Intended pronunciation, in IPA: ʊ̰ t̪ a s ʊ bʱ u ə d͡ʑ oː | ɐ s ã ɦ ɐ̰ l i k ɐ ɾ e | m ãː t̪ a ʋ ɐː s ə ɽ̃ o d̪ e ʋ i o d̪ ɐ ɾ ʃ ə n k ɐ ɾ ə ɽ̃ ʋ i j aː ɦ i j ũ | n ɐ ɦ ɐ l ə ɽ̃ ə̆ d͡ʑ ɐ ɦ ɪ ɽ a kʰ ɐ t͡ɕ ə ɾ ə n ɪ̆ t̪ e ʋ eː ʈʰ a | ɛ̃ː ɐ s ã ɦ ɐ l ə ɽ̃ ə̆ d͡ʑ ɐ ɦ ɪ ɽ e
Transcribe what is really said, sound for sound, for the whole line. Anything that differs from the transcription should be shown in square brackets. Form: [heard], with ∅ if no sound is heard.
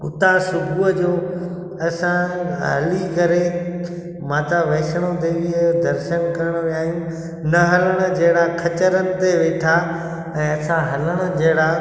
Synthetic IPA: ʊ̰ t̪ a s ʊ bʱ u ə d͡ʑ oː | ɐ s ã ɦ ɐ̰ l i k ɐ ɾ e | m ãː t̪ a ʋ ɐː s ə ɽ̃ o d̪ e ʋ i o d̪ ɐ ɾ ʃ ə n k ɐ ɾ ə ɽ̃ ʋ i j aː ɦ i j ũ | n ɐ ɦ ɐ l ə ɽ̃ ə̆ d͡ʑ ɐ ɦ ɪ ɽ a kʰ ɐ t͡ɕ ə ɾ ə n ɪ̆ t̪ e ʋ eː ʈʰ a | ɛ̃ː ɐ s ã ɦ ɐ l ə ɽ̃ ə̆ d͡ʑ ɐ ɦ ɪ ɽ [a]